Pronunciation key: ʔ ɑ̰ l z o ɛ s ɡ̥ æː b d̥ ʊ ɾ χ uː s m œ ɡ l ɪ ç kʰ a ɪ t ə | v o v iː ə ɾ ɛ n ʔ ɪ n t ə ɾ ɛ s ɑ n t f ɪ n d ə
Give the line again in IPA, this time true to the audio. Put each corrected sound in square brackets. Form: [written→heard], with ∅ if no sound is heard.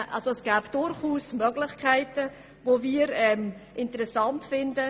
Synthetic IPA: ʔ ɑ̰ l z o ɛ s ɡ̥ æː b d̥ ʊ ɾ χ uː s m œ ɡ l ɪ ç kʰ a ɪ t ə | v o v iː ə ɾ ɛ [n→m] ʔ ɪ n t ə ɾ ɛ s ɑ n t f ɪ n d ə